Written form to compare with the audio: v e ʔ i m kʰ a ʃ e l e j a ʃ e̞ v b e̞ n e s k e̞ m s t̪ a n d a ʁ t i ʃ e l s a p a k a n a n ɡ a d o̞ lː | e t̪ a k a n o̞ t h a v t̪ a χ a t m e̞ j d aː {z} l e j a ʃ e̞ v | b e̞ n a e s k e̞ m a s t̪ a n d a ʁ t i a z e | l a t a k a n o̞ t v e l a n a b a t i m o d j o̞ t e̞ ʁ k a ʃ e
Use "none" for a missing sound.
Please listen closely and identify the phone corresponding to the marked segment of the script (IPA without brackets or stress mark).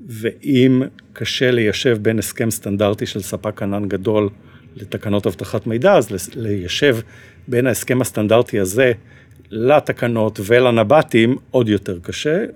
z